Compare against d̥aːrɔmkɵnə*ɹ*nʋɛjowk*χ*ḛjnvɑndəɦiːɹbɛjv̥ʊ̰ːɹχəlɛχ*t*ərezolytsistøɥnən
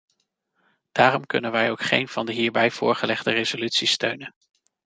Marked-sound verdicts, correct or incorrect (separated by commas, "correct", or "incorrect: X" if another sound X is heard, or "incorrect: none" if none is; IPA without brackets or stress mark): incorrect: none, correct, incorrect: d